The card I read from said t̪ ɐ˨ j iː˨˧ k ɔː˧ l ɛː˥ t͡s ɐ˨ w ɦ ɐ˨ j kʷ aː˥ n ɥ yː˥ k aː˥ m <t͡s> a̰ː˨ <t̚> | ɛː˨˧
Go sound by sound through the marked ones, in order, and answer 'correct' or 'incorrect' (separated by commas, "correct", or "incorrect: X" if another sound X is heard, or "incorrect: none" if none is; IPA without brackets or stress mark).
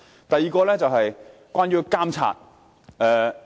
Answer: incorrect: t͡sʰ, correct